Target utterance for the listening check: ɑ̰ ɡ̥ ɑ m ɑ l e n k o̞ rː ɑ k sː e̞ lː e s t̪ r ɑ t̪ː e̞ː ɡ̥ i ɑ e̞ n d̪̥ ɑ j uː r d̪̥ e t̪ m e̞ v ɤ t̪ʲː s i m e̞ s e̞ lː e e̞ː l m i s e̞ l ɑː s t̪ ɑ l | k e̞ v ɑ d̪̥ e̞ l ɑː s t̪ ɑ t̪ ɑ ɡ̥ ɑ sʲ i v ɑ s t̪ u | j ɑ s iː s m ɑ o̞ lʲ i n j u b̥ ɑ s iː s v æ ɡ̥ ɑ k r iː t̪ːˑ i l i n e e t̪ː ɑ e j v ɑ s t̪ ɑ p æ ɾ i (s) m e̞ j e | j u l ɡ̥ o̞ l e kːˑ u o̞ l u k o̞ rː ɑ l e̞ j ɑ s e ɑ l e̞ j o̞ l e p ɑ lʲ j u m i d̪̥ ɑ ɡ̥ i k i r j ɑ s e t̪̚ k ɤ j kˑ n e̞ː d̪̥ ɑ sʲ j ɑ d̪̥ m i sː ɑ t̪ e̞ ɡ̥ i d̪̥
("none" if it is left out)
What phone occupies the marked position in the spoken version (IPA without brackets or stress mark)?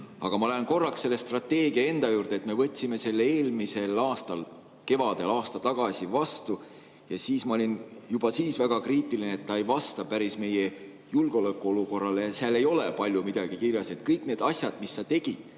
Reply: s